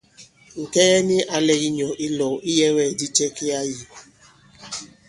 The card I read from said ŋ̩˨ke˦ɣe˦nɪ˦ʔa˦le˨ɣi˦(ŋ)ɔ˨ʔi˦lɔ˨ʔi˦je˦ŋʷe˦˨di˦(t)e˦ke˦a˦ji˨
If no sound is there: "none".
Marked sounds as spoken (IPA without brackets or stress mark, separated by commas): ɲ, t͡ʃ